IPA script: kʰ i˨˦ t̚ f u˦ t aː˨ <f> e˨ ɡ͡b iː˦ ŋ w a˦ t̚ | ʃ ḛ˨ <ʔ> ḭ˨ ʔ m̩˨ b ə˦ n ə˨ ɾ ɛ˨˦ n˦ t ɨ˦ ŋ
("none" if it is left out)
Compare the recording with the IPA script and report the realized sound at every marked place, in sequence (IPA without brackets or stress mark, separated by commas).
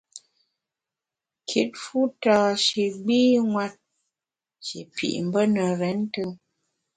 ʃ, p